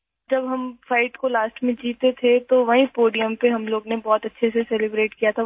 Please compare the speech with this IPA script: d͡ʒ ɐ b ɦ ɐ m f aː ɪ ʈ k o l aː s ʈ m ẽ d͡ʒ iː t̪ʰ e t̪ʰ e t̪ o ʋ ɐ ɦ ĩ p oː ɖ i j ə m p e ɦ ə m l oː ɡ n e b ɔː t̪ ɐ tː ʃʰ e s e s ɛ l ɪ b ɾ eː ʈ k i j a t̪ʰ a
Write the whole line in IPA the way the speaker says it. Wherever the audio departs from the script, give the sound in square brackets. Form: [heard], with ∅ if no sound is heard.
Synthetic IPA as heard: d͡ʒ ɐ b ɦ ɐ m f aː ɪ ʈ k o l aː s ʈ m ẽ d͡ʒ iː [t̪] e t̪ʰ e t̪ o ʋ ɐ ɦ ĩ p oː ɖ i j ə m p e ɦ [ɐ] m l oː ɡ n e b ɔː t̪ ɐ tː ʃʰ e s e s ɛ l ɪ b ɾ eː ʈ k i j a t̪ʰ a